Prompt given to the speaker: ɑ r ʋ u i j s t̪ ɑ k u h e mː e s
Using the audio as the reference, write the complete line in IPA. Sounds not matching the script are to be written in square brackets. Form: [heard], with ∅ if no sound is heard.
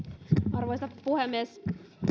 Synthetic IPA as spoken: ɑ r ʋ [o] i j s t̪ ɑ [p] u h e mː e s